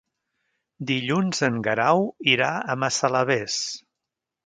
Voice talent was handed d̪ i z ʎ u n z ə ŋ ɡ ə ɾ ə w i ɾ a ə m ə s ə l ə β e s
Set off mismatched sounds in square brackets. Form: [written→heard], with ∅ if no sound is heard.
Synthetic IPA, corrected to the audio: d̪ i [z→∅] ʎ u n z ə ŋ ɡ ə ɾ [ə→a] w i ɾ a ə m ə s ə l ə β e s

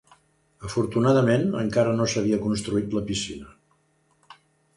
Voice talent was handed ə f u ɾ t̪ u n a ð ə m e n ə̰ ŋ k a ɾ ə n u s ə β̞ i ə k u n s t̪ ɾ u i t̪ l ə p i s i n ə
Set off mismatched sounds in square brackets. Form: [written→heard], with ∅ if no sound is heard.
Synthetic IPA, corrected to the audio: ə f u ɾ t̪ u n a ð ə m e n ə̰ ŋ k a ɾ ə n [u→o] s ə β̞ i ə k u n s t̪ ɾ u i t̪ l ə p i s i n ə

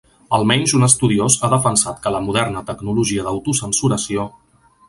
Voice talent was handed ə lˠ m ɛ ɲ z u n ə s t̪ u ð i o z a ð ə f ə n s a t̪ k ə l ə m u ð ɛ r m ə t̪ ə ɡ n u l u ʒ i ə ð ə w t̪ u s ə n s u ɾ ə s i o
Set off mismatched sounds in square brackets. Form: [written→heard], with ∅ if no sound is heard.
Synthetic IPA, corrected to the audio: ə lˠ m ɛ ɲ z u n ə s t̪ u ð i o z a ð ə f ə n s a t̪ k ə l ə m u ð ɛ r [m→n] ə t̪ ə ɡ n u l u ʒ i ə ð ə w t̪ u s ə n s u ɾ ə s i o

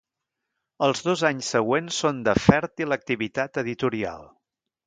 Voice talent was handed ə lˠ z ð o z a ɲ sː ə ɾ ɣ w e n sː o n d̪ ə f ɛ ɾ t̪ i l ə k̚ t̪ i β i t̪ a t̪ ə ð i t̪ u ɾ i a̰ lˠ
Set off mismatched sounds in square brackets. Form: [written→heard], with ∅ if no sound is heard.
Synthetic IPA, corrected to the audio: ə lˠ z ð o z a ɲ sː ə [ɾ→∅] ɣ w e n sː o n d̪ ə f ɛ ɾ t̪ i l ə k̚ t̪ i β i t̪ a t̪ ə ð i t̪ u ɾ i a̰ lˠ

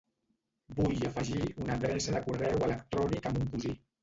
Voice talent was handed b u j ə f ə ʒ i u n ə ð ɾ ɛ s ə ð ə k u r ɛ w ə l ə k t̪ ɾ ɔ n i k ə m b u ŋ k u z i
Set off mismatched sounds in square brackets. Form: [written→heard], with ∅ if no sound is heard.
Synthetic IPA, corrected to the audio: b u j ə f ə ʒ i u n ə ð ɾ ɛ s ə ð ə k u r ɛ w ə l ə k t̪ ɾ ɔ n i k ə m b u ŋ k u z i

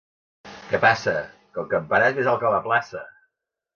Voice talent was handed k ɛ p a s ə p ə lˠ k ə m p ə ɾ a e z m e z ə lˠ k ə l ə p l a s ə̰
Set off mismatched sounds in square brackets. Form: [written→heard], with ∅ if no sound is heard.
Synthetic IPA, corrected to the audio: k ɛ p a s ə [p→k] ə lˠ k ə m p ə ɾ a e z m e z [ə→a] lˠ k ə l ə p l a s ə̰

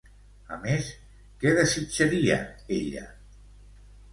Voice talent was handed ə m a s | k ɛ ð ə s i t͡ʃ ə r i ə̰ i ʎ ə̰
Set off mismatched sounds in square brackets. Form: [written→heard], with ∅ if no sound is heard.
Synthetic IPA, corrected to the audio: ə m [a→e] s | k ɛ ð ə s i t͡ʃ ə [r→ɾ] i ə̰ [i→e] ʎ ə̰

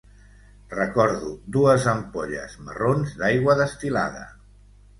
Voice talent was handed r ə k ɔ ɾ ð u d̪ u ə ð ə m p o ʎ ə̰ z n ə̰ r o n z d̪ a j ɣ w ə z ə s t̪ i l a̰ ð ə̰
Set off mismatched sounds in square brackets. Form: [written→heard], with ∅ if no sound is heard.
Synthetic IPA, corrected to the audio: r ə k ɔ ɾ ð u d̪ u ə [ð→z] ə m p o ʎ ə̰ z [n→m] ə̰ r o n z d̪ a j ɣ w ə [z→ð] ə s t̪ i l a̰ ð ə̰

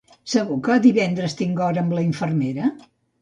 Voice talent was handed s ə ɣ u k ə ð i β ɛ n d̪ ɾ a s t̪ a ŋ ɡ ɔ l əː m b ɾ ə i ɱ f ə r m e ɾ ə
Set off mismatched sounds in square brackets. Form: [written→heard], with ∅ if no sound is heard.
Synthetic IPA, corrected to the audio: s ə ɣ u k ə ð i β ɛ n d̪ ɾ [a→ə] s t̪ [a→i] ŋ ɡ ɔ [l→ɾ] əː m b [ɾ→l] ə i ɱ f ə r m e ɾ ə

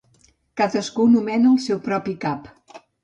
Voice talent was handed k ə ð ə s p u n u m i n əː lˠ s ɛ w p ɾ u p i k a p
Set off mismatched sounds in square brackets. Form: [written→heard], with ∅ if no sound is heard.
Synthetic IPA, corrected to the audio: k [ə→a] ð ə s [p→k] u n u m [i→ɛ] n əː lˠ s ɛ w p ɾ [u→ɔ] p i k a p

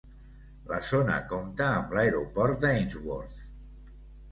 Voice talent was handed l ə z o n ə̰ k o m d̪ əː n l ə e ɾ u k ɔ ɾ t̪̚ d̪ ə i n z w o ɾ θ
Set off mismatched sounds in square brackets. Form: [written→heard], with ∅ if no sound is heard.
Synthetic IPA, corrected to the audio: l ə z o n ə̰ k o m [d̪→t̪] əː [n→m] l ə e ɾ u [k→p] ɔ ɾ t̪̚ d̪ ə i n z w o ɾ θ

